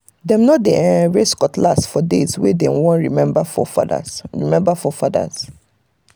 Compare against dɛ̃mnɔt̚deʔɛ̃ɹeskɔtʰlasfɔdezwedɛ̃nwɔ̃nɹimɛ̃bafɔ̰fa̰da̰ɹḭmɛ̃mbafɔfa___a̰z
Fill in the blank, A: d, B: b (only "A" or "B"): A